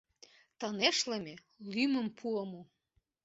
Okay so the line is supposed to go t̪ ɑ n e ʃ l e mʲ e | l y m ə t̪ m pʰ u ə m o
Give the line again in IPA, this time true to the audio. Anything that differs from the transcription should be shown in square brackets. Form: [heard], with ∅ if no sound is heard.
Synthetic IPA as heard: t̪ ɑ n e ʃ l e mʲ e | l y m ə [∅] m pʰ u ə m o